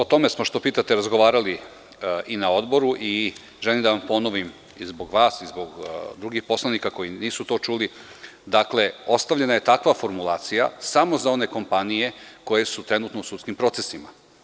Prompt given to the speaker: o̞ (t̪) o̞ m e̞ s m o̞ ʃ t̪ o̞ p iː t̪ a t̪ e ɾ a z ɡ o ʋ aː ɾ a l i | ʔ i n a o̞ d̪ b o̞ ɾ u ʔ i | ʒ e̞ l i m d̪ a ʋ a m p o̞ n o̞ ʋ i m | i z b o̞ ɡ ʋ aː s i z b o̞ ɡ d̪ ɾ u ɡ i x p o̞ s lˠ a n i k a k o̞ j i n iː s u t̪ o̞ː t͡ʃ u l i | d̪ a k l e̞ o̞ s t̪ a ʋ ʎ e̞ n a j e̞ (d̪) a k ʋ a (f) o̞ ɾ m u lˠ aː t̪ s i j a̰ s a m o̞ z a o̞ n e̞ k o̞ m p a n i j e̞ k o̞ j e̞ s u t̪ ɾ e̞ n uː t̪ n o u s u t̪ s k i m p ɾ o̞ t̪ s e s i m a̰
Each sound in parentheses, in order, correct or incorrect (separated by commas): correct, incorrect, correct